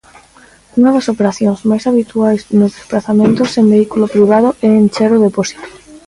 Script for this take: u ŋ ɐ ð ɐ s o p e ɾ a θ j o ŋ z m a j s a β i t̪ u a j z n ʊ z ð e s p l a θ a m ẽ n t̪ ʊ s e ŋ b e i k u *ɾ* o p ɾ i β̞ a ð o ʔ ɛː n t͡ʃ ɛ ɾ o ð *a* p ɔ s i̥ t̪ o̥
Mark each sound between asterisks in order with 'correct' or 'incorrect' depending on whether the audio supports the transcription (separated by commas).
incorrect, incorrect